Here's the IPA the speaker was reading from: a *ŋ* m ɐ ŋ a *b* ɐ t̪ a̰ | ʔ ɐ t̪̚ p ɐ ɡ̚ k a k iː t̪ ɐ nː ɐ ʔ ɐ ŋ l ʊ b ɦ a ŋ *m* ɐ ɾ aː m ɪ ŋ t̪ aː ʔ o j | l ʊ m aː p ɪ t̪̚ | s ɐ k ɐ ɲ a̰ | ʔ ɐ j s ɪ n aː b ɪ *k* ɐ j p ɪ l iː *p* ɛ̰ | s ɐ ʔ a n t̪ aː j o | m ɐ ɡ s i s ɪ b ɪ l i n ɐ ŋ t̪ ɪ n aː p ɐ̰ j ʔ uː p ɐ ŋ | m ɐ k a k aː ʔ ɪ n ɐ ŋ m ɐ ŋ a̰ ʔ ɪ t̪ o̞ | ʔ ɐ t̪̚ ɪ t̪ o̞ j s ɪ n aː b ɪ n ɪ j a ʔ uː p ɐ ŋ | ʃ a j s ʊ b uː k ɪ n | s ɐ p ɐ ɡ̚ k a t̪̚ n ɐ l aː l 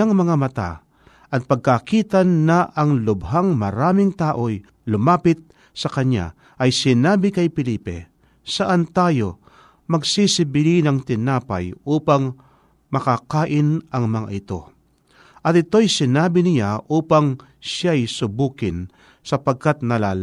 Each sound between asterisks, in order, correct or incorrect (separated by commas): correct, incorrect, correct, correct, correct